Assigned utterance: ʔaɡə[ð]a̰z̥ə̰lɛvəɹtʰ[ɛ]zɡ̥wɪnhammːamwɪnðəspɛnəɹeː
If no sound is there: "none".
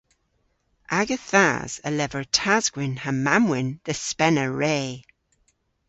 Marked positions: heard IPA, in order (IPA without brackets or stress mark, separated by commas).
θ, a